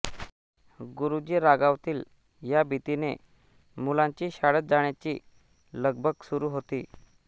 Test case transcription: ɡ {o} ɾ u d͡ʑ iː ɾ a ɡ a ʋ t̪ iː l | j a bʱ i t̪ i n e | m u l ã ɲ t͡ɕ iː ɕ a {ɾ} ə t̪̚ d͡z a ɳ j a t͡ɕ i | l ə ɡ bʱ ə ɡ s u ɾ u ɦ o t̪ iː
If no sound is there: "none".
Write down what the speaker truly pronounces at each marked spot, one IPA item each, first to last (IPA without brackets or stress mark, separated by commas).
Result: u, ɽ